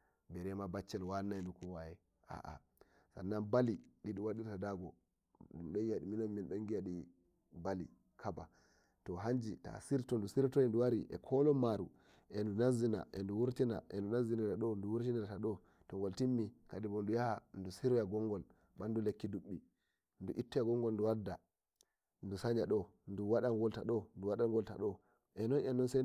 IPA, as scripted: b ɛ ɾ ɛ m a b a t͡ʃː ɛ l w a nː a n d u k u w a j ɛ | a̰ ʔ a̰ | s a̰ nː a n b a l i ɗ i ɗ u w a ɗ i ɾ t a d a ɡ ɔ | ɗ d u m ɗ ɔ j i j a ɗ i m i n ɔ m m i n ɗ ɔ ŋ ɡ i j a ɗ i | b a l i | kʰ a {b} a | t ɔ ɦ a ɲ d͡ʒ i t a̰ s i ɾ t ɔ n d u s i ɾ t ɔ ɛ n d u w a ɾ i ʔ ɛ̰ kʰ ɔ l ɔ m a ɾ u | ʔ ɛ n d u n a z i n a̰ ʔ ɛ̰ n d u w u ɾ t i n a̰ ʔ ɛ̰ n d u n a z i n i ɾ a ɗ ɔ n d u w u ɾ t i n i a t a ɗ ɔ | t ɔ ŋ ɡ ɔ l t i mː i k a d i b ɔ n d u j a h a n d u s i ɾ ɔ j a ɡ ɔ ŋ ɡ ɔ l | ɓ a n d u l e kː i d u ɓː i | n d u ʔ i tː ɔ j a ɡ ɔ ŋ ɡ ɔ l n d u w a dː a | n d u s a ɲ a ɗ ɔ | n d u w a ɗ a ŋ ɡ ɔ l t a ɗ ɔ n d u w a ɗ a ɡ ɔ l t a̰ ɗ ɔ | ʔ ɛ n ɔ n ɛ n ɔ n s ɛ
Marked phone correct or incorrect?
correct